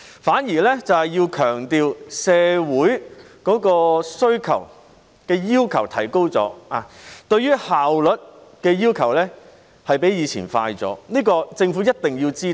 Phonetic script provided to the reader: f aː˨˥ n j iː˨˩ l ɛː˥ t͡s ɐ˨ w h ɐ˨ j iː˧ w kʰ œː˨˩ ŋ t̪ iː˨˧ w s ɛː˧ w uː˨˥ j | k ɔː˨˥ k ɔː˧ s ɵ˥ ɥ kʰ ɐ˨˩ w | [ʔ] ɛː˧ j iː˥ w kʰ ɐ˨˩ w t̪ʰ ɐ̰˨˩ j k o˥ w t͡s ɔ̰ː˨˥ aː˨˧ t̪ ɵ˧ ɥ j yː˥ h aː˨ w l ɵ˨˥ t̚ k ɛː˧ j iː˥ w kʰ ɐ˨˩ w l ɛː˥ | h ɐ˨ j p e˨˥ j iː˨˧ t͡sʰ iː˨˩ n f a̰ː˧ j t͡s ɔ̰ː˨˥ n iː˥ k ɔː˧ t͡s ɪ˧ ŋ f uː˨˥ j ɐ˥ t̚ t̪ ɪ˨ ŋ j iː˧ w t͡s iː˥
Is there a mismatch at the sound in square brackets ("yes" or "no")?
yes